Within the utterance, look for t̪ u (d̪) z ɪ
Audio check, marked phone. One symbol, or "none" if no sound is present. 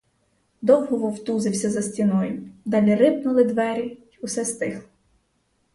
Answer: none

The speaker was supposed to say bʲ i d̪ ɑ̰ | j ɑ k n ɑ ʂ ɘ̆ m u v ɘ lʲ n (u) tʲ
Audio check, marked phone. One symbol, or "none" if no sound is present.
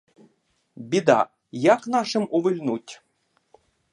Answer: u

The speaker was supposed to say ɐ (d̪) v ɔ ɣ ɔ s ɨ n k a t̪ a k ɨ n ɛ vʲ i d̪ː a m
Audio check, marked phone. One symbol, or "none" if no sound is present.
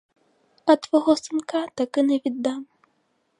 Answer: t̪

